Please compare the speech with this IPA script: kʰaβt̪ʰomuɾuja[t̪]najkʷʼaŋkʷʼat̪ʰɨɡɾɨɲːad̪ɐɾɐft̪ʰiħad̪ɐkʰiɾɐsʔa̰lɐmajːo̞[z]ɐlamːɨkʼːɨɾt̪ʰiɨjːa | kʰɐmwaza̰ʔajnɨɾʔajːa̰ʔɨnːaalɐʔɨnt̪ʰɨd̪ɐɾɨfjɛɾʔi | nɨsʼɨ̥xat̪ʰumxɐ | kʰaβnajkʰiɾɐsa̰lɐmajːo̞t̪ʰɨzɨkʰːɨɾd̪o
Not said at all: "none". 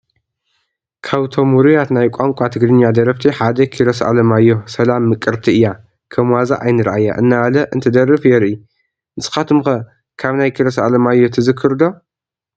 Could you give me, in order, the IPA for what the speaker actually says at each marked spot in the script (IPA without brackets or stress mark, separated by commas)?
t̪, s